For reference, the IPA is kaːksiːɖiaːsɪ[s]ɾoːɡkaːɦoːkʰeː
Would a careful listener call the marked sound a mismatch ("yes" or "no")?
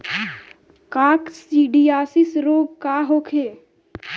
no